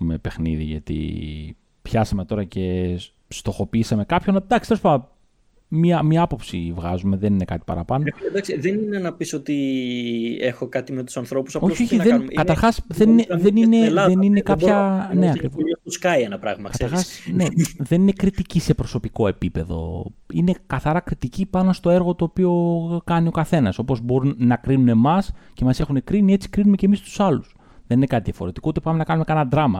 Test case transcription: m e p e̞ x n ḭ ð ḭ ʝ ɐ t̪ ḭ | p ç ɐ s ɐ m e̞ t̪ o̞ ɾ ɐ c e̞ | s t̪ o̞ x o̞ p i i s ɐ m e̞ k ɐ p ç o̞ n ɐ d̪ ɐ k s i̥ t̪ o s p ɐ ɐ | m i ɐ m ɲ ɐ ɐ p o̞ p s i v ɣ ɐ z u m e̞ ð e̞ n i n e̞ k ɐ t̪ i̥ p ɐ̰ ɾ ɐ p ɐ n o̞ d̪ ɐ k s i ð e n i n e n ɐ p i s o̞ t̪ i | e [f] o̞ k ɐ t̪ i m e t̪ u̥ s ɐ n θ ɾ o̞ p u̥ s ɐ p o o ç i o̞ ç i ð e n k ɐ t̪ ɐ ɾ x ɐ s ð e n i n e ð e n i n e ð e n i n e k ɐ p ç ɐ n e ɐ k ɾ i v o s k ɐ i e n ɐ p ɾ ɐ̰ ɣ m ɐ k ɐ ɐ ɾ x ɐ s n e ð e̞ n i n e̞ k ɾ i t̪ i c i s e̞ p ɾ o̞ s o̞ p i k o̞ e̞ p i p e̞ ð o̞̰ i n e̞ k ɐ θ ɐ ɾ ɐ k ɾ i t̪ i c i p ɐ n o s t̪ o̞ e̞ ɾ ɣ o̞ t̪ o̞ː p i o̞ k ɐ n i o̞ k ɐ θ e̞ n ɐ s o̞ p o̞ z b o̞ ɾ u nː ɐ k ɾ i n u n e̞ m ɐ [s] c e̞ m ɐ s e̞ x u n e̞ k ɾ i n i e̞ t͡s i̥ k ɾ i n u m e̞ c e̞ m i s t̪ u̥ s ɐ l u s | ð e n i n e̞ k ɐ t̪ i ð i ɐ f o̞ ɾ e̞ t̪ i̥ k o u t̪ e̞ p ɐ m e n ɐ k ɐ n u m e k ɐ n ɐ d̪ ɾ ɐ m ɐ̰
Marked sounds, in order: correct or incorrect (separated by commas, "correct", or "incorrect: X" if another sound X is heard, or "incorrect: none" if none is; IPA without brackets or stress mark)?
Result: incorrect: x, correct